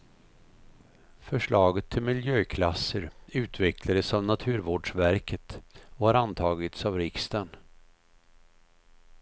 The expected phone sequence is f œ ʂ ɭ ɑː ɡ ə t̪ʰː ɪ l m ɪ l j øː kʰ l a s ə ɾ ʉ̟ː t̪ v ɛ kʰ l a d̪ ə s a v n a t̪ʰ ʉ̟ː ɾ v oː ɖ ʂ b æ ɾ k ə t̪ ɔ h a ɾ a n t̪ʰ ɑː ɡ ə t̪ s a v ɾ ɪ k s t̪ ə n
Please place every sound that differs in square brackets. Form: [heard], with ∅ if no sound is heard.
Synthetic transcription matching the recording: f œ ʂ ɭ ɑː ɡ ə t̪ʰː ɪ l m ɪ l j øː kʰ l a s ə ɾ ʉ̟ː t̪ v ɛ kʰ l a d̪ ə s a v n a t̪ʰ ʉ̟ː ɾ v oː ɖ ʂ [v] æ ɾ k ə t̪ ɔ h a ɾ a n t̪ʰ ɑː ɡ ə t̪ s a v ɾ ɪ k s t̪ ə n